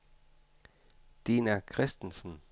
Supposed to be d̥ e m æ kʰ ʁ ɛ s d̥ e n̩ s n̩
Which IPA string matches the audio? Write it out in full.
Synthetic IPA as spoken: d̥ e n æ kʰ ʁ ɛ s d̥ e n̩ s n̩